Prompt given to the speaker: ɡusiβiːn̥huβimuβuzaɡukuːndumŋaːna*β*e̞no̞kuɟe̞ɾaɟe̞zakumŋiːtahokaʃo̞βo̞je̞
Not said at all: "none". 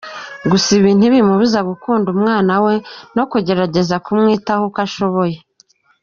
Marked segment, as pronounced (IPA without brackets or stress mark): w